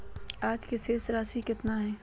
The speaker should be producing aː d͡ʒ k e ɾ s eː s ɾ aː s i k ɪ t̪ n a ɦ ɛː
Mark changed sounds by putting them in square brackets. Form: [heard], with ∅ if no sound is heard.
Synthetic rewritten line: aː d͡ʒ k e [∅] s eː s ɾ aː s i k ɪ t̪ n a ɦ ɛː